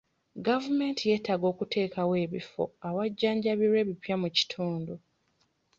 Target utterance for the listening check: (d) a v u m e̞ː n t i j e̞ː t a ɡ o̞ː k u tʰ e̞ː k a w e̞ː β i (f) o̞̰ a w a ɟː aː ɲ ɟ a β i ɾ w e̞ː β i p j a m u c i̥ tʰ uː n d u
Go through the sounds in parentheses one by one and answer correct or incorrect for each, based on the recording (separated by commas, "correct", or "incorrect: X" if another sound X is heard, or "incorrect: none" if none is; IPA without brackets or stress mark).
incorrect: ɡ, correct